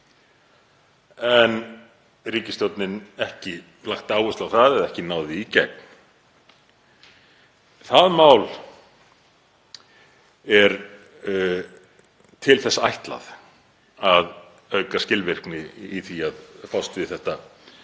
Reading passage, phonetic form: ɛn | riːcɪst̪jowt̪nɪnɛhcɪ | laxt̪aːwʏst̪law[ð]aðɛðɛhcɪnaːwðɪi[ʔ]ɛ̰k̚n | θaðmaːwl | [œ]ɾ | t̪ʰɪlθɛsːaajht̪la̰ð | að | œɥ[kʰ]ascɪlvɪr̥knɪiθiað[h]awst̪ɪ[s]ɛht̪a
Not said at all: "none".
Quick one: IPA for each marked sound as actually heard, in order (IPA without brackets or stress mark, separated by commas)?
θ, c, ɛ, k, f, θ